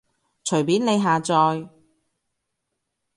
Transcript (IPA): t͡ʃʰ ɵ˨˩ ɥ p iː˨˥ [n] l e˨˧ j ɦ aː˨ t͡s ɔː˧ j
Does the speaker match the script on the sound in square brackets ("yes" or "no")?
yes